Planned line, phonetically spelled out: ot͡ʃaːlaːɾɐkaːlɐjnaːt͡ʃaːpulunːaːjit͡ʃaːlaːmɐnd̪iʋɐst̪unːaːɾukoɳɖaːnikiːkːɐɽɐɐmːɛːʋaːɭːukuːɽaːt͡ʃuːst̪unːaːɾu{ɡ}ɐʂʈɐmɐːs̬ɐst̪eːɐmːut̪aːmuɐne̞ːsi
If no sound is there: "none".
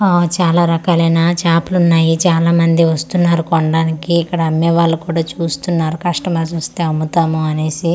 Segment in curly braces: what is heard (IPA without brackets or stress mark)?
k